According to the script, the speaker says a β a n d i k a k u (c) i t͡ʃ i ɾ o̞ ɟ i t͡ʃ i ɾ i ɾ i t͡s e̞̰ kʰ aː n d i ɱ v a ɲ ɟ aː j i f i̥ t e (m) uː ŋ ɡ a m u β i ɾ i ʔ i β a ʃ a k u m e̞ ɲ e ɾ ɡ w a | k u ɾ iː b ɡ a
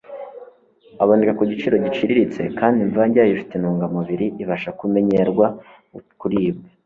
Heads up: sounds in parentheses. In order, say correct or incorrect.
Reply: incorrect: ɟ, incorrect: n

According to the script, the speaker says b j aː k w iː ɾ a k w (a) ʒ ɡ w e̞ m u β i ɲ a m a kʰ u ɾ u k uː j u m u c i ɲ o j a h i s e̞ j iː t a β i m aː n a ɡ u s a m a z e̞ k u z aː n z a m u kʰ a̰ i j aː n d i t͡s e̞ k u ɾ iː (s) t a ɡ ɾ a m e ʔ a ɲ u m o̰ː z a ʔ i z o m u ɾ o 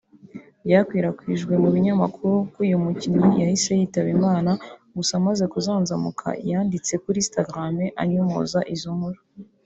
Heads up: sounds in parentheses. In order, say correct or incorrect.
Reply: incorrect: i, correct

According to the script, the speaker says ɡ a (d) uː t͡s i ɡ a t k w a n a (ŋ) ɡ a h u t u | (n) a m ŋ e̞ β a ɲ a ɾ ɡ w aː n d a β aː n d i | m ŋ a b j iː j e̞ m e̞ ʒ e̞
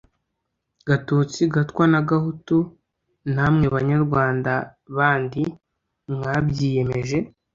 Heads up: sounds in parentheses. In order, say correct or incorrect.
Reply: incorrect: t, incorrect: none, correct

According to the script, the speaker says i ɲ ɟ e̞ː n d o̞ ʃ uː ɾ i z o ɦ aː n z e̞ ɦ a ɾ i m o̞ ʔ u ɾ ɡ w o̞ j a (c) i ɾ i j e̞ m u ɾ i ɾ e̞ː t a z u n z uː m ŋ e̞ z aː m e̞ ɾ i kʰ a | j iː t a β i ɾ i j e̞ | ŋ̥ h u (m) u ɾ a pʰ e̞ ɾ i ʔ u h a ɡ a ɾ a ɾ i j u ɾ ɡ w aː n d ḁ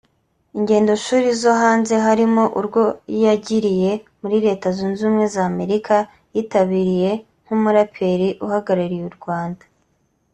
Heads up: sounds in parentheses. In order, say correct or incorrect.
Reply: incorrect: ɟ, correct

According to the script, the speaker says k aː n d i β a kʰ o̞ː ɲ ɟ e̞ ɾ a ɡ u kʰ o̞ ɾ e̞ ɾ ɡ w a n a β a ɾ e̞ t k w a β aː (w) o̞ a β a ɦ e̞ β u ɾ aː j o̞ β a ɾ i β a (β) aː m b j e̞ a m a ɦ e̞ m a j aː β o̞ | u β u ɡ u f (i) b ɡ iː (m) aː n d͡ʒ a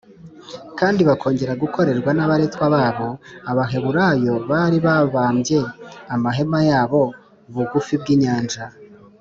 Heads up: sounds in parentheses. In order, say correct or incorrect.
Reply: incorrect: β, correct, correct, incorrect: ɲ

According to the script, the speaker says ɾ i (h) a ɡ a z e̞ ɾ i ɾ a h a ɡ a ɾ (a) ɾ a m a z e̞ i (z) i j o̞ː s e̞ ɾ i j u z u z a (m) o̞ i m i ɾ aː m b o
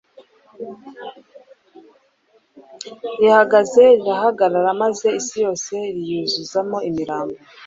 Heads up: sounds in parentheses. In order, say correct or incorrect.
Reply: correct, correct, incorrect: s, correct

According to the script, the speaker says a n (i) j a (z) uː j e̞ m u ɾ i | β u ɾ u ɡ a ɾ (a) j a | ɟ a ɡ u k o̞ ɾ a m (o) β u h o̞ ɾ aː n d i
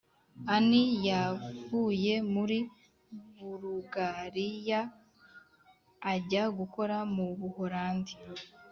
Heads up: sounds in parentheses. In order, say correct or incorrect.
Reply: correct, incorrect: v, incorrect: i, incorrect: u

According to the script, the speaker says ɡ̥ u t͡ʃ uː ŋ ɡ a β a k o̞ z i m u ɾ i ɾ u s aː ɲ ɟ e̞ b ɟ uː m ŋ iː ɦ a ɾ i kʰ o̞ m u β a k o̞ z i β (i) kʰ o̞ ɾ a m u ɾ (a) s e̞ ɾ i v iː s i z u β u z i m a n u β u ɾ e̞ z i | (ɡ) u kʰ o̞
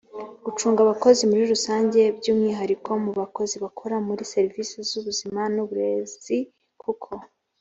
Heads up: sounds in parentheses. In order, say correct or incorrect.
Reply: incorrect: a, incorrect: i, incorrect: k

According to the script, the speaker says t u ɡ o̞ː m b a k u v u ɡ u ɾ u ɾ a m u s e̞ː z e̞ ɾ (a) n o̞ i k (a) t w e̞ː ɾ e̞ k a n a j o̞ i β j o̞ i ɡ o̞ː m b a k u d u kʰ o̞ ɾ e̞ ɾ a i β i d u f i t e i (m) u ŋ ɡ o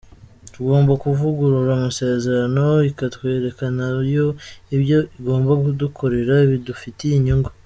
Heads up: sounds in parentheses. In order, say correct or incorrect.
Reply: correct, correct, incorrect: ɲ

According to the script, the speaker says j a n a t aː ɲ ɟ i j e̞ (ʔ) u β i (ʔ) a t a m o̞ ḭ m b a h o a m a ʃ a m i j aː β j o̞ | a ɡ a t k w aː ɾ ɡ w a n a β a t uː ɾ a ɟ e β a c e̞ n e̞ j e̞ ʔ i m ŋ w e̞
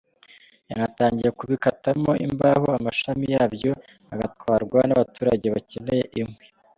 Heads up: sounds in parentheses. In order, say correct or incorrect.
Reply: incorrect: k, incorrect: k

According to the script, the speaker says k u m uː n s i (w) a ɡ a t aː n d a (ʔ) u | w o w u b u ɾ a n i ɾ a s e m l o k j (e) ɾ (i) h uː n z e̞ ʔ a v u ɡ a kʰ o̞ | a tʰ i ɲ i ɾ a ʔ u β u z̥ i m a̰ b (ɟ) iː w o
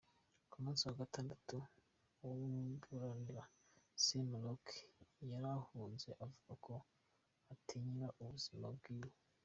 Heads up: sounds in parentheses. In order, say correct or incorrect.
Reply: correct, incorrect: t, incorrect: a, incorrect: a, incorrect: ɡ

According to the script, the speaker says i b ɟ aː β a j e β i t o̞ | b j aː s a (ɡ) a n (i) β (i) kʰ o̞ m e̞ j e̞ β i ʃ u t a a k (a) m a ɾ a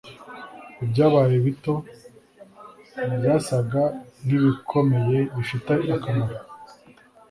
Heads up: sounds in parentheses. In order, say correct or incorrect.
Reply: correct, correct, correct, correct

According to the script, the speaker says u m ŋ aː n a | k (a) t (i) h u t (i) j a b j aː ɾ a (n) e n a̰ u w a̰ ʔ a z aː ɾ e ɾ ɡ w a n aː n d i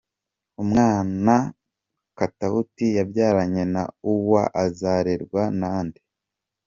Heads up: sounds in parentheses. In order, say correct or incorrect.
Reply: correct, incorrect: a, correct, incorrect: ɲ

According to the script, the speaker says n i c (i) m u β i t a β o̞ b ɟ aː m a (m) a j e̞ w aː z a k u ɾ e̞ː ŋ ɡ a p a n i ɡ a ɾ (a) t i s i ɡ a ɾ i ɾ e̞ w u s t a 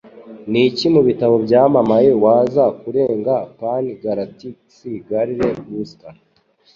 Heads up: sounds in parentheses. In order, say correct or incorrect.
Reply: correct, correct, correct

